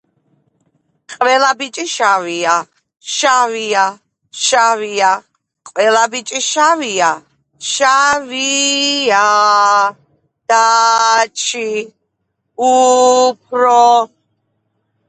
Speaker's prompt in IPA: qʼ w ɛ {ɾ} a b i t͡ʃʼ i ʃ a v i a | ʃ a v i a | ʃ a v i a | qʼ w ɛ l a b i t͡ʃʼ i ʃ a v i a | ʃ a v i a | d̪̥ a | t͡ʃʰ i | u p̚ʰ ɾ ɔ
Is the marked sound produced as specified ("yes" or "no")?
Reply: no